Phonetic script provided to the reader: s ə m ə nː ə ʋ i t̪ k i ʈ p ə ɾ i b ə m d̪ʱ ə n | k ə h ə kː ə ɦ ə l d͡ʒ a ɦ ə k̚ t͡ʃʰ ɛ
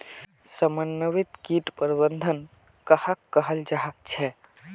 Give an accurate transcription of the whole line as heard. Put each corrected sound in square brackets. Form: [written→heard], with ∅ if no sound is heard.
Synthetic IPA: s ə m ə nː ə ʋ i t̪ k i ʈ p ə ɾ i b ə [m→n] d̪ʱ ə n | k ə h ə kː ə ɦ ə l d͡ʒ a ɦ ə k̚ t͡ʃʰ ɛ